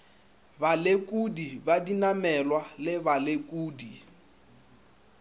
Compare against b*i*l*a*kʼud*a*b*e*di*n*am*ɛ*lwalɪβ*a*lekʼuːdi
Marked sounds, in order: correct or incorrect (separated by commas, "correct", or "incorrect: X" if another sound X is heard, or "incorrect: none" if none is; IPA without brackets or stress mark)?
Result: incorrect: a, incorrect: e, incorrect: i, incorrect: a, correct, correct, correct